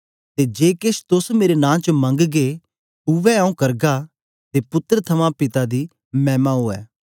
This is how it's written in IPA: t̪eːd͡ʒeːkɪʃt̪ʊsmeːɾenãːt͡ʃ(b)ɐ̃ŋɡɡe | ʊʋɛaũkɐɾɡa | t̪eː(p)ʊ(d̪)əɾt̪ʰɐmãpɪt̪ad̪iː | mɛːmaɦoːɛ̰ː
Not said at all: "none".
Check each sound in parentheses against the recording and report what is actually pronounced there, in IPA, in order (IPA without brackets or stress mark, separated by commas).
m, p, t̪